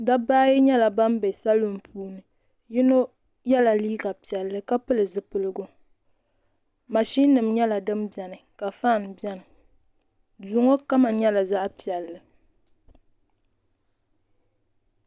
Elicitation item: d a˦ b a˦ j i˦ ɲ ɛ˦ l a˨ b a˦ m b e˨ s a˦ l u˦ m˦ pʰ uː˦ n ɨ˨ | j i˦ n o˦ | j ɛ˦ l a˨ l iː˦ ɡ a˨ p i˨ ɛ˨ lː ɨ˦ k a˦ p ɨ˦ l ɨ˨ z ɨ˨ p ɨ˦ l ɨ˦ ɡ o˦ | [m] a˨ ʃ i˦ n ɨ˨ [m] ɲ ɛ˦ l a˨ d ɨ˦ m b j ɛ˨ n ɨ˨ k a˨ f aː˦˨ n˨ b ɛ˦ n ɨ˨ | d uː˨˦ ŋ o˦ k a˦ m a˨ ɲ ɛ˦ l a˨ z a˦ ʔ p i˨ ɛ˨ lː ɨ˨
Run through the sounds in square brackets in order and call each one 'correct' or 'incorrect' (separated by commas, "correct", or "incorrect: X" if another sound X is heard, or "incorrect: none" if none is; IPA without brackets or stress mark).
correct, correct